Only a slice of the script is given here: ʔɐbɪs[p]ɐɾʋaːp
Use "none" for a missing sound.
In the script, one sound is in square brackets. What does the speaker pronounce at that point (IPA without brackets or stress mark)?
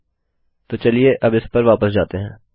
p